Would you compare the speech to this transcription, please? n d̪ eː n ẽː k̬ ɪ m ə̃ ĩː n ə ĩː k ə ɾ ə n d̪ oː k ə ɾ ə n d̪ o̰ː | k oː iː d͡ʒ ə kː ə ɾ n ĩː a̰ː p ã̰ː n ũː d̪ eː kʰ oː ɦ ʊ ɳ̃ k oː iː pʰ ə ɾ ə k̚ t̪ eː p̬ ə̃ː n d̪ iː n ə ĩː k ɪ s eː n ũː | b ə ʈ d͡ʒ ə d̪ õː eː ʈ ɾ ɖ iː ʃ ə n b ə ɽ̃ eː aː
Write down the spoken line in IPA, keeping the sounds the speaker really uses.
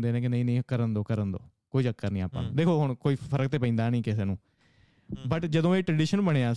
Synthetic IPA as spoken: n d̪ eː n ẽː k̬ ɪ n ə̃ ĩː n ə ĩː k ə ɾ ə n d̪ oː k ə ɾ ə n d̪ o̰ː | k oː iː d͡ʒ ə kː ə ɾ n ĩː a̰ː p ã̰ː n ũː d̪ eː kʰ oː ɦ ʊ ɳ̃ k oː iː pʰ ə ɾ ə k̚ t̪ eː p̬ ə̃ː n d̪ aː n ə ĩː k ɪ s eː n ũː | b ə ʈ d͡ʒ ə d̪ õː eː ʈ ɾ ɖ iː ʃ ə n b ə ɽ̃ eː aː